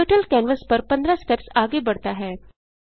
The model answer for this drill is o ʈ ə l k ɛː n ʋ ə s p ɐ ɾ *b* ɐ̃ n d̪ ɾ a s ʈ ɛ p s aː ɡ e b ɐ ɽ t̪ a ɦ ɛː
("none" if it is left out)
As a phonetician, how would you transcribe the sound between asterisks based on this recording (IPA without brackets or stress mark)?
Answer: p